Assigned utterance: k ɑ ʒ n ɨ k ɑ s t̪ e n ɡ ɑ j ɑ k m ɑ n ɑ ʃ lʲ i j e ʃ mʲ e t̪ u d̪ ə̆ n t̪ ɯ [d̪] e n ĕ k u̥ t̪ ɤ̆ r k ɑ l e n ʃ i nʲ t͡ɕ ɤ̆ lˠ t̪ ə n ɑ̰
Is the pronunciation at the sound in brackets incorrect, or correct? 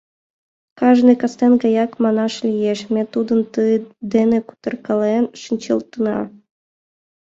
correct